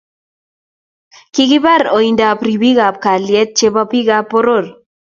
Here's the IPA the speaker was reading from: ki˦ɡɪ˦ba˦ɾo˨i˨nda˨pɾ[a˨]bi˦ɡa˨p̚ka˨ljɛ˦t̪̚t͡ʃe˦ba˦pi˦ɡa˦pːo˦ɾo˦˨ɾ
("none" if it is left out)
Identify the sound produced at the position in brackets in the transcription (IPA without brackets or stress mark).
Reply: i˨